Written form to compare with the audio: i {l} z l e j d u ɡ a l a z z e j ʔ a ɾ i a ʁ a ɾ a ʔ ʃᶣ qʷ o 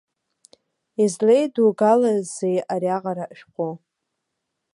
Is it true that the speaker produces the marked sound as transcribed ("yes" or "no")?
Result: no